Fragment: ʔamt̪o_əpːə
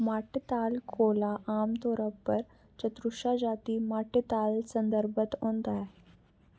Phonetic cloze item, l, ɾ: ɾ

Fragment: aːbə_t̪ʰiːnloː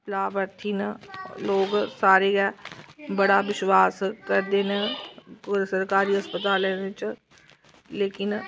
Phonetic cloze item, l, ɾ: ɾ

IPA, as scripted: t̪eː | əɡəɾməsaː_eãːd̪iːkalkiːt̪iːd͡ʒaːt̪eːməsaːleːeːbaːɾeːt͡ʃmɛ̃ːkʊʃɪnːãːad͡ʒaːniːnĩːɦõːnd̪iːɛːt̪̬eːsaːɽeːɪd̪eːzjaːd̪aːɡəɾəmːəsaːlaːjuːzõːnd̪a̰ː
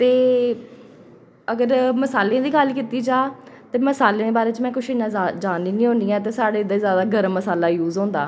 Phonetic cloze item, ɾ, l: l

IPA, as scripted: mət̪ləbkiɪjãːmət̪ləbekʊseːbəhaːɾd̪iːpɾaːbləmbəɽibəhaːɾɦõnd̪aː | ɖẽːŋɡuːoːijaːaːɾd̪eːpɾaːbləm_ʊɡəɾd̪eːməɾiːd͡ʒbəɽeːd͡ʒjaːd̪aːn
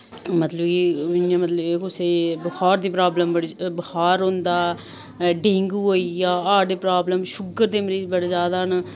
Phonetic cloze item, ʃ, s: ʃ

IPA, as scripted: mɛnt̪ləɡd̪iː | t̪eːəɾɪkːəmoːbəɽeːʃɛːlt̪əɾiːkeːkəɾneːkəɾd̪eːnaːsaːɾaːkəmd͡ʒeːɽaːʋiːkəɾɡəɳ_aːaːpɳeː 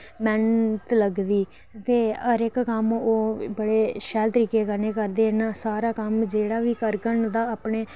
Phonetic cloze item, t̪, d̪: d̪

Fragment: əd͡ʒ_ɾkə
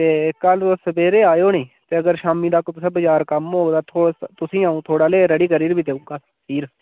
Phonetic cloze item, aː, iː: aː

